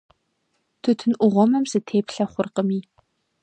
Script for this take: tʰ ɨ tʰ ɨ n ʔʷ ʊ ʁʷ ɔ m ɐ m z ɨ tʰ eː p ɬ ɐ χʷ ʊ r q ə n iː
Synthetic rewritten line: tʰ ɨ tʰ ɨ n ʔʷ ʊ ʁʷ ɔ m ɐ m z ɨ tʰ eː p ɬ ɐ χʷ ʊ r q ə m iː